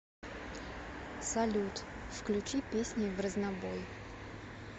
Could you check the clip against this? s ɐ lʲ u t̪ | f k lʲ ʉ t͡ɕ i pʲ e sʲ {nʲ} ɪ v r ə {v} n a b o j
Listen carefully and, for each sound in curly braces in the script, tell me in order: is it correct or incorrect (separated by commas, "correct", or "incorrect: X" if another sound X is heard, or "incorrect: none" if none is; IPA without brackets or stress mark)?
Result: correct, incorrect: z